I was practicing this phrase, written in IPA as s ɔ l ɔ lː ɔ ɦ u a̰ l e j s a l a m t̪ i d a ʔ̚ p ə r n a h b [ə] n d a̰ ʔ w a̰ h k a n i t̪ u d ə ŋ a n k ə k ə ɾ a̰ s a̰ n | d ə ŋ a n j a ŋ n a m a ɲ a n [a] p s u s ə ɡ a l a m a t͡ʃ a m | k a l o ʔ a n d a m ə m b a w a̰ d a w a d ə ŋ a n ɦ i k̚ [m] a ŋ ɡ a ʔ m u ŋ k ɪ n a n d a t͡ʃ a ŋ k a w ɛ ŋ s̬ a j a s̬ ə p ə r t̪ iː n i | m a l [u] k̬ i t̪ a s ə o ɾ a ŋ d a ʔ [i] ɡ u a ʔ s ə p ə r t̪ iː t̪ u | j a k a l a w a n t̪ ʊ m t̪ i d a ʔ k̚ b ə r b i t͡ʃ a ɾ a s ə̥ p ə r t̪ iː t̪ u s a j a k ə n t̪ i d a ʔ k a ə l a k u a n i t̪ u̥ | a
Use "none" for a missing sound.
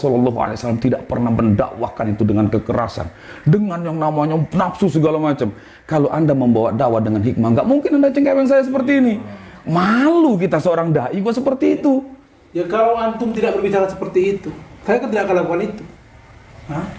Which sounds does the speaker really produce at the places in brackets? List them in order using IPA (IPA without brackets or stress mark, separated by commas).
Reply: ə, a, m, u, i